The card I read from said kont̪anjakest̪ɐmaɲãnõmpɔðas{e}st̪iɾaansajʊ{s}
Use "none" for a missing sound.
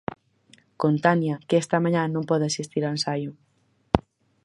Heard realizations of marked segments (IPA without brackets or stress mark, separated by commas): i, none